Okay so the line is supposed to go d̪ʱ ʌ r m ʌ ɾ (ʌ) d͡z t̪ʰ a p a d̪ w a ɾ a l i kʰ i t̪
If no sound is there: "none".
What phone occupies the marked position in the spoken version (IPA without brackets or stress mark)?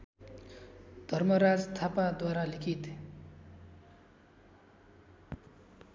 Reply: a